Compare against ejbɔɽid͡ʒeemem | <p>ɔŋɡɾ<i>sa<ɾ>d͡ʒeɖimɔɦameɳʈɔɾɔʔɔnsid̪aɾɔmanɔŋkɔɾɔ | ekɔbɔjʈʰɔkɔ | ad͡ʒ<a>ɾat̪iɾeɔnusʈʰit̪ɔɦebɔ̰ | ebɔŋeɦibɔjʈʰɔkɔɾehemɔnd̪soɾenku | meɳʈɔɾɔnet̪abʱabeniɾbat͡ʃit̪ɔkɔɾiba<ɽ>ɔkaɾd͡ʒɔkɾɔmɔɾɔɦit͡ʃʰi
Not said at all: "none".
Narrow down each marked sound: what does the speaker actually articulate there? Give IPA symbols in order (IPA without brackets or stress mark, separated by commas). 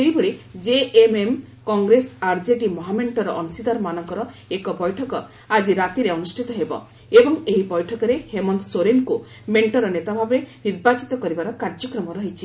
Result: k, e, ɾ, i, ɾ